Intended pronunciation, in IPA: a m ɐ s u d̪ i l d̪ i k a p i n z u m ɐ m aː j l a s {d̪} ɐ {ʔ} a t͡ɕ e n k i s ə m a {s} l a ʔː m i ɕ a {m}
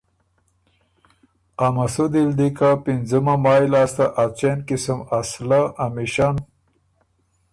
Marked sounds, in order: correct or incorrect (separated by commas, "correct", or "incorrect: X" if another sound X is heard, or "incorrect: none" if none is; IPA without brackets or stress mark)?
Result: incorrect: t̪, correct, correct, incorrect: n